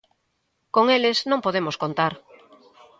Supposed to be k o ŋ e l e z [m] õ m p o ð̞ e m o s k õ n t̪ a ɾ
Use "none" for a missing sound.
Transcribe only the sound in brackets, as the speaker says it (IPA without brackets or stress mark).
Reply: n